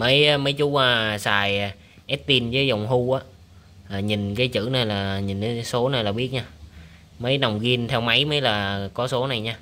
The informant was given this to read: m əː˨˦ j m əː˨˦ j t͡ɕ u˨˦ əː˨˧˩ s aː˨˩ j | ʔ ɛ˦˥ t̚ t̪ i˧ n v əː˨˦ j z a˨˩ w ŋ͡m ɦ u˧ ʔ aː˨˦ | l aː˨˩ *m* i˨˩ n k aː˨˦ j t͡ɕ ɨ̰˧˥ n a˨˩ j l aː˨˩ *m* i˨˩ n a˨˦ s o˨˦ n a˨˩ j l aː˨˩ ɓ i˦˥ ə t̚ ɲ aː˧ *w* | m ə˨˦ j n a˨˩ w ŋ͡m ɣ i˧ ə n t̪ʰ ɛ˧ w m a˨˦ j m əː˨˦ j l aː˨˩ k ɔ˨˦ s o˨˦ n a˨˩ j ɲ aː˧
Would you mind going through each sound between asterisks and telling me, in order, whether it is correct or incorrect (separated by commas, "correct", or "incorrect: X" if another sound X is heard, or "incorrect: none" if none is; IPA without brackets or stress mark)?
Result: incorrect: ɲ, incorrect: ɲ, incorrect: none